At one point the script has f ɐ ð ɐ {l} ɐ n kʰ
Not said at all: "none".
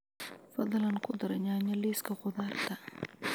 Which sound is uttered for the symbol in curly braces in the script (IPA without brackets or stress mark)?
l